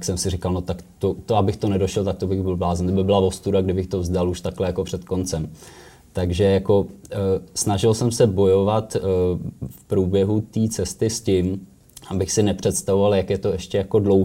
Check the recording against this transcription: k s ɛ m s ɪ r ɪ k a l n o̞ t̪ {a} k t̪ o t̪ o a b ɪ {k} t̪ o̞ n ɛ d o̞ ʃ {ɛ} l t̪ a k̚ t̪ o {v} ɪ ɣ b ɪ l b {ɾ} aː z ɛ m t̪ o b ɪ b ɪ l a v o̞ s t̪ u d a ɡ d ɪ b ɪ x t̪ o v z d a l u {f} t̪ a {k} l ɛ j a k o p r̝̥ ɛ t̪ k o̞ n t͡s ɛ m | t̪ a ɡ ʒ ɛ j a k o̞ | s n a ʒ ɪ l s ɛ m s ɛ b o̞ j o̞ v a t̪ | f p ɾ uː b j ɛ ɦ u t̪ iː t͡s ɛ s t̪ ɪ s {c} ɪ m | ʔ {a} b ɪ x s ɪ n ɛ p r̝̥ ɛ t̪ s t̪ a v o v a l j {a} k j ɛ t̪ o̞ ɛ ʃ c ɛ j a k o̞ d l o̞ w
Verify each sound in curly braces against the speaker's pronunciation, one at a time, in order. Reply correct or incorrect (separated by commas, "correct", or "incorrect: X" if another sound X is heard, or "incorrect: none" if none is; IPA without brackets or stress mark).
correct, incorrect: x, correct, incorrect: b, incorrect: l, incorrect: ʃ, correct, correct, correct, correct